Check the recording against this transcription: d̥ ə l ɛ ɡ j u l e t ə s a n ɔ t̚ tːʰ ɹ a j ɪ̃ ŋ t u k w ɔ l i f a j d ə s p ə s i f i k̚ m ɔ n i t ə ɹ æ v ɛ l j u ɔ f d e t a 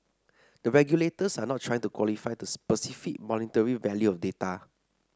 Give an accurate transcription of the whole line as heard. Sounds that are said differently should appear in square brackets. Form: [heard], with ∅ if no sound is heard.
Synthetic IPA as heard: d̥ ə [ɹ] ɛ ɡ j u l e t ə s a n ɔ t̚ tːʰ ɹ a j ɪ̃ ŋ t u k w ɔ l i f a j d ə s p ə s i f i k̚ m ɔ n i t ə ɹ [i] v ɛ l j u ɔ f d e t a